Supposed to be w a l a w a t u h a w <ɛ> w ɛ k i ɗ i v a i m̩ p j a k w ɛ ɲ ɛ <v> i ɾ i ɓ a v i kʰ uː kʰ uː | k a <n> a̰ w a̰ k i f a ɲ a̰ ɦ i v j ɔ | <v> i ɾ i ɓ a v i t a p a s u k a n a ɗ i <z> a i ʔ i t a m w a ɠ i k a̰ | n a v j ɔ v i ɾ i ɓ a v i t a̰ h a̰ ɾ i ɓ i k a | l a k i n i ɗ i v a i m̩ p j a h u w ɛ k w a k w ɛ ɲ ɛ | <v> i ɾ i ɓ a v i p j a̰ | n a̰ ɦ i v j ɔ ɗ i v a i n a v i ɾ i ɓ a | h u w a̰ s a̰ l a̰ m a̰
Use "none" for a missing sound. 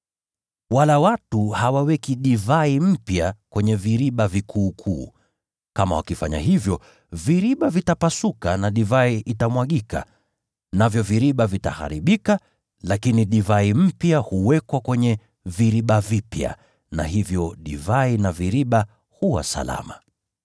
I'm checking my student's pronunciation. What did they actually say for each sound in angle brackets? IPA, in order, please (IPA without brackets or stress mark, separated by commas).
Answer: a, v, m, v, v, v